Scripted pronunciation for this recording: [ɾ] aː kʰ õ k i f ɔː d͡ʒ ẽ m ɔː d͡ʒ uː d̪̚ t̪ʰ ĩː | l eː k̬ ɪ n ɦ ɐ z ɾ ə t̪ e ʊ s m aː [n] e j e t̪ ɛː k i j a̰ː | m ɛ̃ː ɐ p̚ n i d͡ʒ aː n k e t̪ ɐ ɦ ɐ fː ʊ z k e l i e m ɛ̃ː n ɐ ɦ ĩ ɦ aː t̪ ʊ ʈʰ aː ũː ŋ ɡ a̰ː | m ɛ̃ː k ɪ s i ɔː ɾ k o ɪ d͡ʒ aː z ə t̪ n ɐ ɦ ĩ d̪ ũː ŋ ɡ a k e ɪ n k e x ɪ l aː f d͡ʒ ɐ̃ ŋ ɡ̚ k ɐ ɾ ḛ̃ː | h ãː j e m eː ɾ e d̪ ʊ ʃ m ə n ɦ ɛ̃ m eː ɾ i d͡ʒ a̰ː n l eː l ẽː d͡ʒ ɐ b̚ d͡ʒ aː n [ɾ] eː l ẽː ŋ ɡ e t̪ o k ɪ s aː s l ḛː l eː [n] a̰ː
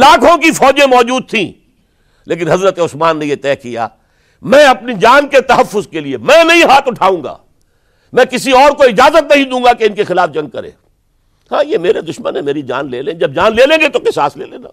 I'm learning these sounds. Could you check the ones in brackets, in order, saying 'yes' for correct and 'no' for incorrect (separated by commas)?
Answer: no, no, no, yes